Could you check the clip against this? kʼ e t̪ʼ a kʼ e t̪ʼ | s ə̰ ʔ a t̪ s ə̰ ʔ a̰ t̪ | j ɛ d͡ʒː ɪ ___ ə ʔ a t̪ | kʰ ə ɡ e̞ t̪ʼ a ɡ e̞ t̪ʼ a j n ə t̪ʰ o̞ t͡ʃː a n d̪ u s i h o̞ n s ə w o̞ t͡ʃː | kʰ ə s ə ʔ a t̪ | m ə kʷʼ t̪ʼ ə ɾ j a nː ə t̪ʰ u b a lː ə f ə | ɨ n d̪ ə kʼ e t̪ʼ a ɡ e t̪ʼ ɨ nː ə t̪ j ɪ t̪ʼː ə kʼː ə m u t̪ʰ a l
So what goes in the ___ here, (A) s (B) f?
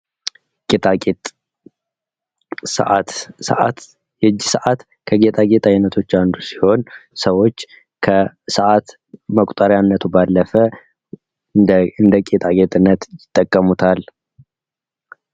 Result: A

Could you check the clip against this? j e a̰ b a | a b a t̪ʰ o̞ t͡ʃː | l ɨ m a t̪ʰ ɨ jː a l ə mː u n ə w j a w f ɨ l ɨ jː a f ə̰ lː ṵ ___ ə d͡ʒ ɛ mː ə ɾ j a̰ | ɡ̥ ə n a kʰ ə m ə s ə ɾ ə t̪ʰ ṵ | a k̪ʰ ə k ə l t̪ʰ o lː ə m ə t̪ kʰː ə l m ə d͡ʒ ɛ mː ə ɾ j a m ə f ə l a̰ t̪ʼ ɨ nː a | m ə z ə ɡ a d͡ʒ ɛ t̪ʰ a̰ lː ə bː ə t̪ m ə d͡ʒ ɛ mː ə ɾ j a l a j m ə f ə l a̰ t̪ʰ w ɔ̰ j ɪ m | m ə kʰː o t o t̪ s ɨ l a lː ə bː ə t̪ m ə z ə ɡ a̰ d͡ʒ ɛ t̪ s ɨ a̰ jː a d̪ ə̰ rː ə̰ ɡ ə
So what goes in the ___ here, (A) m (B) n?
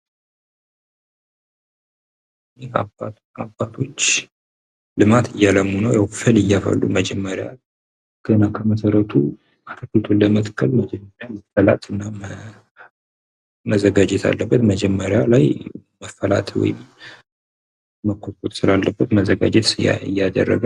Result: A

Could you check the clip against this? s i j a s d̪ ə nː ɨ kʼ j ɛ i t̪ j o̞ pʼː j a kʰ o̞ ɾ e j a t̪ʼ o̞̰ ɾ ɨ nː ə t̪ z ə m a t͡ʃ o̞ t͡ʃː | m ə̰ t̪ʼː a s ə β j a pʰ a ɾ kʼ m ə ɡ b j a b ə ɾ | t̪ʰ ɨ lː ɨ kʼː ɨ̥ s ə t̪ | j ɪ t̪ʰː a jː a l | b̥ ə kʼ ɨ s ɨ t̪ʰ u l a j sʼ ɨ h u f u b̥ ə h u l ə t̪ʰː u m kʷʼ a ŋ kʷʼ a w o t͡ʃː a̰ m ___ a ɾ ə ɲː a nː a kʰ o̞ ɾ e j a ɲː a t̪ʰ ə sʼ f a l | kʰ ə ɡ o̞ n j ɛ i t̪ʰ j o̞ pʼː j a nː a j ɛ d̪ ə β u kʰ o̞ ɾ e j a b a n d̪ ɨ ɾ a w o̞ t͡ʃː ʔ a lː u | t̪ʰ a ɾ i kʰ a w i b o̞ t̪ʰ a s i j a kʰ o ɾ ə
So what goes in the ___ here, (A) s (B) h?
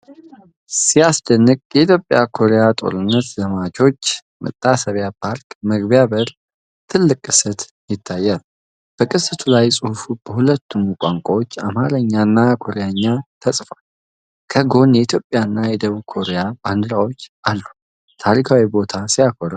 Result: B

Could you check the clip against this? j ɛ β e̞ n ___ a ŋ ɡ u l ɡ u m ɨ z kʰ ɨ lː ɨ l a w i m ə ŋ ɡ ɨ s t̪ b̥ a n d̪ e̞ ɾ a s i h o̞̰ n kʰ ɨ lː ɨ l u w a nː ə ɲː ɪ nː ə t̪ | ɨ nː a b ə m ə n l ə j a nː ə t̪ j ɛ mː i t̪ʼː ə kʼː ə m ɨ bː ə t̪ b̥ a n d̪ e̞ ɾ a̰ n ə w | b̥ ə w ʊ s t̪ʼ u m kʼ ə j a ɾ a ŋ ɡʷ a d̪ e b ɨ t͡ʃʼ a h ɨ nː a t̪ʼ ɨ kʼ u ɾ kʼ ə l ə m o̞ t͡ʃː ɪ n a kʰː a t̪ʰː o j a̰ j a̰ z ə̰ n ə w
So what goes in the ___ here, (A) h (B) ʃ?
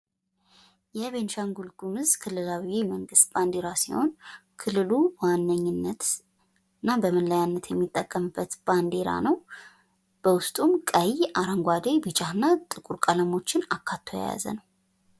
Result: B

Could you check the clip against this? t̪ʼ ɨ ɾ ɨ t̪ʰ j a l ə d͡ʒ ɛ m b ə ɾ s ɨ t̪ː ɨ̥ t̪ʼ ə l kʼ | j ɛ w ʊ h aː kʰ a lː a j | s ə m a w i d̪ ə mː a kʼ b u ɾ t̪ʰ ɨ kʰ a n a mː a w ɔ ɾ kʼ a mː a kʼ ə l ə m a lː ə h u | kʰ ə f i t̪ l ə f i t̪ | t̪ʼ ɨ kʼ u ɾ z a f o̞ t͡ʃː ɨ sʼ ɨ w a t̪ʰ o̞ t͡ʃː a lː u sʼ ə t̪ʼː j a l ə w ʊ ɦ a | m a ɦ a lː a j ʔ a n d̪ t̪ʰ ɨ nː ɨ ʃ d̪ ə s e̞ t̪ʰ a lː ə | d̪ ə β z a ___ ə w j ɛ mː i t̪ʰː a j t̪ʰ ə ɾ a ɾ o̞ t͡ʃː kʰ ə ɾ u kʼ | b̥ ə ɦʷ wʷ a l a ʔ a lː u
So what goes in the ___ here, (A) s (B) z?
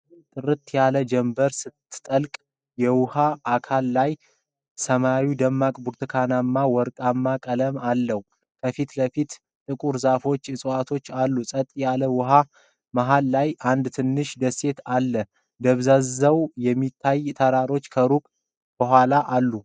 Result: B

